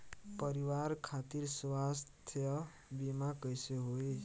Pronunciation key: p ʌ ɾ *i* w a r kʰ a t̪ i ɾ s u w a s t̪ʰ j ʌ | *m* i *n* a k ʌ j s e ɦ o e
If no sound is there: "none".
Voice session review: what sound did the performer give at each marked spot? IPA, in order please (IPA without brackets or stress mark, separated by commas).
i, b, m